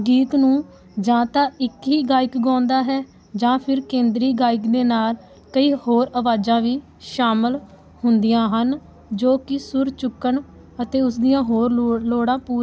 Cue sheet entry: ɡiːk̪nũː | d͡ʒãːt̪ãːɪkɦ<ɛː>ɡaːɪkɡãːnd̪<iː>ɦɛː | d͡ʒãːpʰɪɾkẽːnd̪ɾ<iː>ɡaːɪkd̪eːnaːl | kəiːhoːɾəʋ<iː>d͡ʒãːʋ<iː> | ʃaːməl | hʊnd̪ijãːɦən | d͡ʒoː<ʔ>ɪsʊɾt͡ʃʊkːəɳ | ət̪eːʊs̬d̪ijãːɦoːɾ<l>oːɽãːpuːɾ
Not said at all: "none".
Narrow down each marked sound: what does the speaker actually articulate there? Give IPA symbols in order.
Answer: iː, aː, iː, aː, iː, k, l

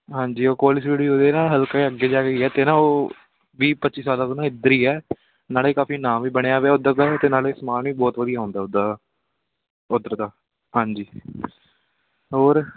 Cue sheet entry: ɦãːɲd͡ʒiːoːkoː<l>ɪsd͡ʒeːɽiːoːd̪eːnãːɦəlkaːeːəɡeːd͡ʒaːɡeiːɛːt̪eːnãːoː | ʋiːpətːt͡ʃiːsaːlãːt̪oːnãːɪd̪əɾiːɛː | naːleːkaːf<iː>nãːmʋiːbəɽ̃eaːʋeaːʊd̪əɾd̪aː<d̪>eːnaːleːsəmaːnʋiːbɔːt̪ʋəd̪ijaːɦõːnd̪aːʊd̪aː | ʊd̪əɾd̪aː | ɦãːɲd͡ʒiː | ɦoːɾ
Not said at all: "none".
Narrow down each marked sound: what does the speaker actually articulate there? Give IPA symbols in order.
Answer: l, iː, t̪

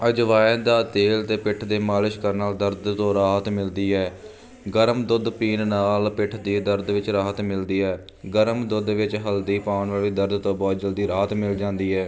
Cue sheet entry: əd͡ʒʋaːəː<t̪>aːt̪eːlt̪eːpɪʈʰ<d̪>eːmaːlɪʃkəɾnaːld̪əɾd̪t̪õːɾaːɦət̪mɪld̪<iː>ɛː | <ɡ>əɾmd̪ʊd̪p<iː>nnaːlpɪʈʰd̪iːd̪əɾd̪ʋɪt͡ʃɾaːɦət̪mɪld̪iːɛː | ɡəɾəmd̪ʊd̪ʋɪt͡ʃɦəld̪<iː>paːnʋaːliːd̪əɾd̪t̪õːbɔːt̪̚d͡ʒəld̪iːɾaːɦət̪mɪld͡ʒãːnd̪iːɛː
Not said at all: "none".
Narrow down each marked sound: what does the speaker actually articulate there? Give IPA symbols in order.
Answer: d̪, d̪, iː, ɡ, iː, iː

